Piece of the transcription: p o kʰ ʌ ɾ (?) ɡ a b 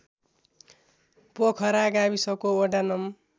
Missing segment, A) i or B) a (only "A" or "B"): B